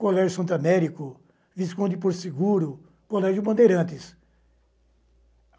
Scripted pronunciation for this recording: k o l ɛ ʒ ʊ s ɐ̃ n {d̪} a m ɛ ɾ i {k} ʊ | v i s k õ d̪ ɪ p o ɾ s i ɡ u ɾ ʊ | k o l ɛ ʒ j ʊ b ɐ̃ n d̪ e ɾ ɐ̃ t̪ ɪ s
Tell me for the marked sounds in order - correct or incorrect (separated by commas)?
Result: incorrect, correct